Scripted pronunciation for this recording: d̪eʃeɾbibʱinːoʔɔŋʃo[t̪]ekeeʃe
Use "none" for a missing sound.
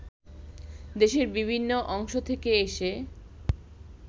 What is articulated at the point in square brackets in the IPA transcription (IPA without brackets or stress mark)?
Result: t̪ʰ